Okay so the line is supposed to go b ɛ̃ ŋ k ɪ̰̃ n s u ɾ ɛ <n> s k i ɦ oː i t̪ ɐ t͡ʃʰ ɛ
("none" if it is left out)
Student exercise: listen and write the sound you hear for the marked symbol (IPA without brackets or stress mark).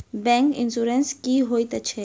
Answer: n